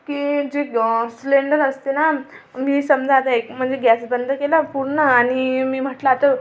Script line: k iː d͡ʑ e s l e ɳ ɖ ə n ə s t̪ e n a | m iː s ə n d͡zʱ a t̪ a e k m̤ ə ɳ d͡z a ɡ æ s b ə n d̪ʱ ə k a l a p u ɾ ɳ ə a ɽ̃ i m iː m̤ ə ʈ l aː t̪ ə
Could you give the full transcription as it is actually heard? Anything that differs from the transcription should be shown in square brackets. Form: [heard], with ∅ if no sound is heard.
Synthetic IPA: k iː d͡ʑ e s l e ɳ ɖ ə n ə s t̪ e n a | m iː s ə [m] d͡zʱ a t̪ a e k m̤ ə ɳ d͡z [e] ɡ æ s b ə n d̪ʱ ə k [e] l a p u ɾ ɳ ə a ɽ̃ i m iː m̤ ə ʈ l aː t̪ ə